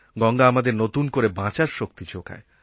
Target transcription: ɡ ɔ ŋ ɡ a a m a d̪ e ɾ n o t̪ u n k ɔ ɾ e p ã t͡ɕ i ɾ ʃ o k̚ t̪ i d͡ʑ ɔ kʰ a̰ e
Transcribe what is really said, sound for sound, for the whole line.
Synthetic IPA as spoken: ɡ ɔ ŋ ɡ a a m a d̪ e ɾ n o t̪ u n k o ɾ e b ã t͡ɕ a ɾ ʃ o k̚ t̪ i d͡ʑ o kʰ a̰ e